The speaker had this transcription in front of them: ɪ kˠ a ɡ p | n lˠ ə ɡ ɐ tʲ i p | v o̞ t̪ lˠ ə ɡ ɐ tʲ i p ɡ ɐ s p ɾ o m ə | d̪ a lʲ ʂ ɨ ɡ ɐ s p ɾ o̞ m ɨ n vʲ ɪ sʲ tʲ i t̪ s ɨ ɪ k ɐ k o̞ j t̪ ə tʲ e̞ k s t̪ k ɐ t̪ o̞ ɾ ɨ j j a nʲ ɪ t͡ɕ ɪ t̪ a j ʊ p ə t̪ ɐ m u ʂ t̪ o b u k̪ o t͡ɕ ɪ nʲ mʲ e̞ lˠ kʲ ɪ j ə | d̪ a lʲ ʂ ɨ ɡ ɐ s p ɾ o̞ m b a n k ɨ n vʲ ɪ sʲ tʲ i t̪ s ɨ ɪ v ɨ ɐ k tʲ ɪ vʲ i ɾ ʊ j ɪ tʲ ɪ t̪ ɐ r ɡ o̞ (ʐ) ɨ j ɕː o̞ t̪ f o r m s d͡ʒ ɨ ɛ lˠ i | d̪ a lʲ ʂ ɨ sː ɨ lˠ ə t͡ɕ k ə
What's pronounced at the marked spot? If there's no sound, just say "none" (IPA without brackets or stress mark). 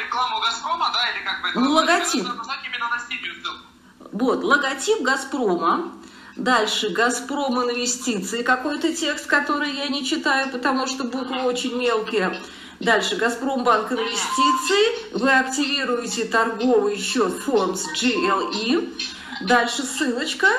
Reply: v